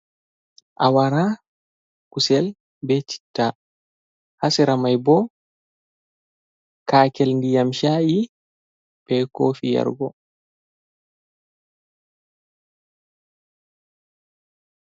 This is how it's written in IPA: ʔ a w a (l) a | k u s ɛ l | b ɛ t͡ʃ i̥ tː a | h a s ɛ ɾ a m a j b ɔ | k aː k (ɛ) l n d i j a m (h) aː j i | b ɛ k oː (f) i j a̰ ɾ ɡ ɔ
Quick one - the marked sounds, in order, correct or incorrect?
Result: incorrect, correct, incorrect, correct

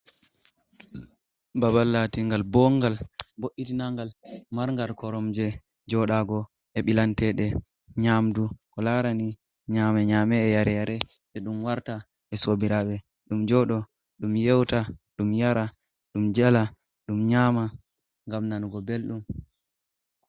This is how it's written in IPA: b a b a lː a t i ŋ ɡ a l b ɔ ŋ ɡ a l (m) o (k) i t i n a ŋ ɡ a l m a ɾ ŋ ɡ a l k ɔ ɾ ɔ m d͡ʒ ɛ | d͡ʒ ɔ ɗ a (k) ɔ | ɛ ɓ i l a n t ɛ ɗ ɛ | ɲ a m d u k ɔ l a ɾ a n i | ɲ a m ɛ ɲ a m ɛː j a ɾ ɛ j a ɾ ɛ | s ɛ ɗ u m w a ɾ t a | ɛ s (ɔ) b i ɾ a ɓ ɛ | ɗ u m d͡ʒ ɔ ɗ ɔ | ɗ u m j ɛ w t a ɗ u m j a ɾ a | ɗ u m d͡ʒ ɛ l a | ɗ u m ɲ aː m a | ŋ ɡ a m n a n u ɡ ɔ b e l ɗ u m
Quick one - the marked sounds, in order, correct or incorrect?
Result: incorrect, incorrect, incorrect, incorrect

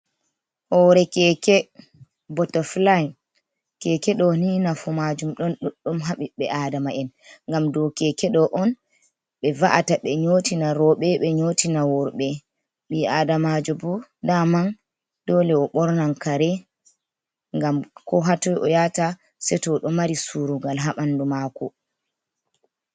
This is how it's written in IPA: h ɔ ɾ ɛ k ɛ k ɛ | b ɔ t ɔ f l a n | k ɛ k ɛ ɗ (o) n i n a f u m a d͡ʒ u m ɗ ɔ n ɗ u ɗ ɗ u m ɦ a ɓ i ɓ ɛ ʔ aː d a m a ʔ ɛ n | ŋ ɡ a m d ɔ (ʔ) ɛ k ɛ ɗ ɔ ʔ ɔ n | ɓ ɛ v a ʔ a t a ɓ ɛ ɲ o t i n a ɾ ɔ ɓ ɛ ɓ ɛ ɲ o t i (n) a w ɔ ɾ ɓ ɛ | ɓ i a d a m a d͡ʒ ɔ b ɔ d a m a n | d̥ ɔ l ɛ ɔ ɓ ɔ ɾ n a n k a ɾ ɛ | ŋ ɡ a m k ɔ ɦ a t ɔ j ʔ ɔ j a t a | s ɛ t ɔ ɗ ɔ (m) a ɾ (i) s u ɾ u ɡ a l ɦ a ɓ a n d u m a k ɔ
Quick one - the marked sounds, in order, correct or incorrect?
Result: incorrect, incorrect, correct, correct, correct

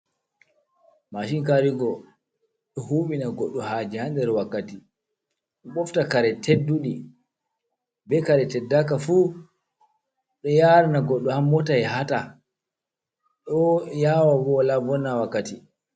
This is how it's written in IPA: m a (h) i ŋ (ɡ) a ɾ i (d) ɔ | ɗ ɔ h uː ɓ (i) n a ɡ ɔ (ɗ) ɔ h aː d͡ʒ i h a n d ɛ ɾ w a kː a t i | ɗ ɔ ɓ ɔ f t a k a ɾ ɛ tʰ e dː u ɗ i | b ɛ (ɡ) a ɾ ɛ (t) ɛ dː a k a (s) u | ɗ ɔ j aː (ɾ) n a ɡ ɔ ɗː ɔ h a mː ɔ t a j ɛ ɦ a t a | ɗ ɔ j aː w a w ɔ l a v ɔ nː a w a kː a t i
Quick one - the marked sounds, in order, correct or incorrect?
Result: incorrect, incorrect, incorrect, correct, incorrect, incorrect, correct, incorrect, correct

